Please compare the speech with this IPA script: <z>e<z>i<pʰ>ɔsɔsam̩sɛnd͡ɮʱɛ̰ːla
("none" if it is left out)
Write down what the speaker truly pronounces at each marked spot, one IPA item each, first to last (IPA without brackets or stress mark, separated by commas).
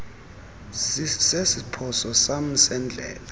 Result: s, s, pʰ